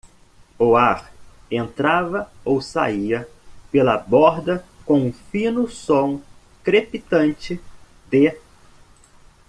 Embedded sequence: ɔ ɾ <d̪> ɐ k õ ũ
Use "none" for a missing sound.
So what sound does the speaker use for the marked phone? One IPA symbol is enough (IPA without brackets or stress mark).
d̪